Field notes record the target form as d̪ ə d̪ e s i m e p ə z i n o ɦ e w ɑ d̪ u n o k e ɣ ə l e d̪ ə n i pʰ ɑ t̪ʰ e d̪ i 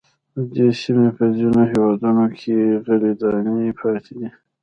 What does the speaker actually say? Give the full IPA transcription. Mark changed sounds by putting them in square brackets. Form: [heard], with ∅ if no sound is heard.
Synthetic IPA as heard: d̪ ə d̪ e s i m e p ə z i n o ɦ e w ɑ d̪ u n o [kʰ] e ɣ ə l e d̪ [ɑ] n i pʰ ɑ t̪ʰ e d̪ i